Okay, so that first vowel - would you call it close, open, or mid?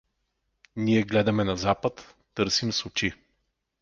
close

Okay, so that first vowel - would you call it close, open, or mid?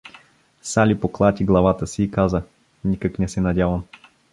open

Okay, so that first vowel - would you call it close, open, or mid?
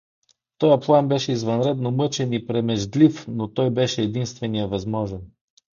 mid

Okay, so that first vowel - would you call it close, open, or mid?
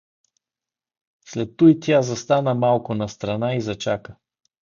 mid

